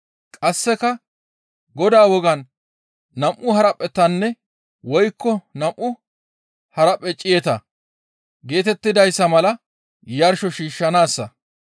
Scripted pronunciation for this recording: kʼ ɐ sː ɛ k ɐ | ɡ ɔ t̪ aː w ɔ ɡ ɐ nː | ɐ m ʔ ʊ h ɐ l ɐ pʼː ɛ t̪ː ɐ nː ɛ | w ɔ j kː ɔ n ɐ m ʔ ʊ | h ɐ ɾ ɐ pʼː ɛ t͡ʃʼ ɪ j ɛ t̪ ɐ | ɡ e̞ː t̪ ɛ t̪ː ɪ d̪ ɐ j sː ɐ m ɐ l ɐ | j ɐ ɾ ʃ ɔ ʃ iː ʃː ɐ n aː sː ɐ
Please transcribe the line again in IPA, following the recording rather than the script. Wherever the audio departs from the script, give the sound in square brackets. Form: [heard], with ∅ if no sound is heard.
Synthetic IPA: kʼ ɐ sː ɛ k ɐ | ɡ ɔ [d̪] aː w ɔ ɡ ɐ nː | ɐ m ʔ ʊ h ɐ [ɾ] ɐ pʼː ɛ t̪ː ɐ nː ɛ | w ɔ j kː ɔ n ɐ m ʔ ʊ | h ɐ ɾ ɐ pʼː ɛ t͡ʃʼ ɪ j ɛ t̪ ɐ | ɡ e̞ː t̪ ɛ t̪ː ɪ d̪ ɐ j sː ɐ m ɐ l ɐ | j ɐ ɾ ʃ ɔ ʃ iː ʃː ɐ n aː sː ɐ